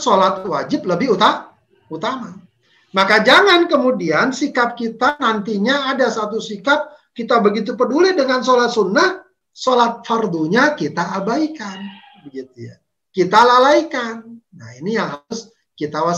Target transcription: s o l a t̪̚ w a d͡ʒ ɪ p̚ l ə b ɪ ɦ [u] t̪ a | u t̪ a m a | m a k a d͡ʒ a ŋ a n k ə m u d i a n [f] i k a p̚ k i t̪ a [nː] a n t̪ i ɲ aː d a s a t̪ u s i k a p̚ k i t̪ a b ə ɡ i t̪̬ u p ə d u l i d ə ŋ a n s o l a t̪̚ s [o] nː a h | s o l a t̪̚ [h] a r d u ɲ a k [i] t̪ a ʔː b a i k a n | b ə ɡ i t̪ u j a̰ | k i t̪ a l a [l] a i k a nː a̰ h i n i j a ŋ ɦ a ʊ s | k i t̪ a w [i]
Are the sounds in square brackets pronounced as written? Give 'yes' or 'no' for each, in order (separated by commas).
yes, no, no, no, no, yes, yes, no